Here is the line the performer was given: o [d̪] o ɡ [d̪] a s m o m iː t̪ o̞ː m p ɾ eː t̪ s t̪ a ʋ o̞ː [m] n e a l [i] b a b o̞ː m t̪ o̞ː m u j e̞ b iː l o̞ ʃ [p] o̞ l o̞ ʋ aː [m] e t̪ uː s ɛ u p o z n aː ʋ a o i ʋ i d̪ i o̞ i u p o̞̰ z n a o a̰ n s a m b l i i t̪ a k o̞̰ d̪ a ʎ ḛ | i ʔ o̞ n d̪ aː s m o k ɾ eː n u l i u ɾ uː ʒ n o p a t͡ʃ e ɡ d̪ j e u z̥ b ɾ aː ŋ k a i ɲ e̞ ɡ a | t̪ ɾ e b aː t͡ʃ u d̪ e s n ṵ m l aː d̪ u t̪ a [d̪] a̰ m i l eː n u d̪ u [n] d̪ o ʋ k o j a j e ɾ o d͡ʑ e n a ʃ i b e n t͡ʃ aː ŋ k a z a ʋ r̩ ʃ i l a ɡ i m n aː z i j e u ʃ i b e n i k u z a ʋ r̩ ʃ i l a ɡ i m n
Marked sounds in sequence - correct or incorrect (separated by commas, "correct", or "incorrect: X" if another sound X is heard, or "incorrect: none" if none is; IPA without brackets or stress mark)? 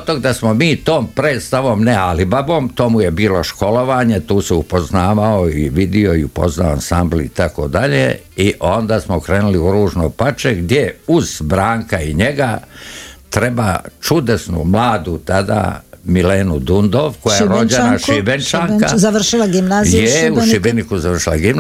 incorrect: t̪, correct, correct, correct, incorrect: k, incorrect: ɲ, correct, correct